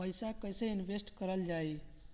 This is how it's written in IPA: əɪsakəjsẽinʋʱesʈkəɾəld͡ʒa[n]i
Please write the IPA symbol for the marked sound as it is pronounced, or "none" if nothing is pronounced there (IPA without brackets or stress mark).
none